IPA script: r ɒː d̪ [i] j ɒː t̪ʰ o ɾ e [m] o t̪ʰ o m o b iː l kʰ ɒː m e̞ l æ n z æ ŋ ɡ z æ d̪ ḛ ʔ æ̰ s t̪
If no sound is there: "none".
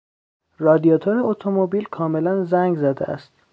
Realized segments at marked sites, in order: i, none

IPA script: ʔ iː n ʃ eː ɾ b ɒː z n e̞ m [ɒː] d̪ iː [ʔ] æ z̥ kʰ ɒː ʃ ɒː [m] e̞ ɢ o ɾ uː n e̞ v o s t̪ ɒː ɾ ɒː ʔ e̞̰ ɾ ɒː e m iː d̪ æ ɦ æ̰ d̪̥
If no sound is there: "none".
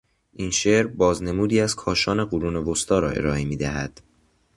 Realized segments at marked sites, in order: uː, none, n

